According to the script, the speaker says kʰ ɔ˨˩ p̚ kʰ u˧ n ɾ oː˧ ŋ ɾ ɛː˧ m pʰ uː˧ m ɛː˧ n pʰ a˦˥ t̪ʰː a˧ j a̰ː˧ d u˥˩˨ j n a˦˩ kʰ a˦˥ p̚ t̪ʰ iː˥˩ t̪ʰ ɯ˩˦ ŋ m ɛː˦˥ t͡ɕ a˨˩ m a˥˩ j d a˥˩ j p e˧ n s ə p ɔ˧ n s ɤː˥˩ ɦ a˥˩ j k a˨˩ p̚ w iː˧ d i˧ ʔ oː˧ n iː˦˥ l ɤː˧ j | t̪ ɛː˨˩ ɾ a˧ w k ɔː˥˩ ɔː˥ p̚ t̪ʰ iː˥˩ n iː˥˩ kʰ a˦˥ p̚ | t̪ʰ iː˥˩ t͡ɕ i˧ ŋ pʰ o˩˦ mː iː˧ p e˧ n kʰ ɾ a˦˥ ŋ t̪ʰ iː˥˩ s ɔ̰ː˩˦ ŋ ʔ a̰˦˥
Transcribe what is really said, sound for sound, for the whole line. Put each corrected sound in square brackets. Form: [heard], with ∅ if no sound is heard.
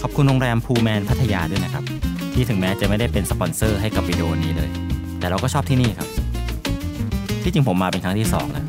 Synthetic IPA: kʰ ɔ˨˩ p̚ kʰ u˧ n ɾ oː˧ ŋ ɾ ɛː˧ m pʰ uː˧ m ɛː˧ n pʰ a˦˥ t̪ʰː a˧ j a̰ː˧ d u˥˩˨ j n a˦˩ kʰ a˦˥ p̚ t̪ʰ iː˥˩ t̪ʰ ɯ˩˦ ŋ m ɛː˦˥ t͡ɕ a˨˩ m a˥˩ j d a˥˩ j p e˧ n s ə p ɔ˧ n s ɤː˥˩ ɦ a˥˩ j k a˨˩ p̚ w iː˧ d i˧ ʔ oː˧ n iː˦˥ l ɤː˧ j | t̪ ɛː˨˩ ɾ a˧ w k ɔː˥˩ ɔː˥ p̚ t̪ʰ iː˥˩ n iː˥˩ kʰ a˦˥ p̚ | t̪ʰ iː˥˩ t͡ɕ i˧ ŋ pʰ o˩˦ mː [aː˧] p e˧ n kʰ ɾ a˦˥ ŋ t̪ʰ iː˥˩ s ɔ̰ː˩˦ ŋ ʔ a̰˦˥